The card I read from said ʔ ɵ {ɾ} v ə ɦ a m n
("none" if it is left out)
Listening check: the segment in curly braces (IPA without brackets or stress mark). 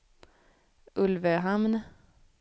l